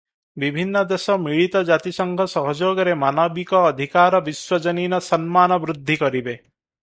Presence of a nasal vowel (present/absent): absent